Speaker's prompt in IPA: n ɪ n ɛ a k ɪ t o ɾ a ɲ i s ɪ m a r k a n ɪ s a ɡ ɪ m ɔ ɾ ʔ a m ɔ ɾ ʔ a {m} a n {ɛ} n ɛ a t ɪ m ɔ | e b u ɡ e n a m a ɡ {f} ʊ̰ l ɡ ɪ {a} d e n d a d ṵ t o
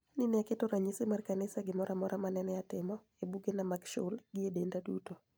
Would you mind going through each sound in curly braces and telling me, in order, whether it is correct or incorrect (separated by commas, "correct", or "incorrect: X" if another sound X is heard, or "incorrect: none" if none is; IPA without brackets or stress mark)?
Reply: correct, correct, incorrect: ʃ, incorrect: e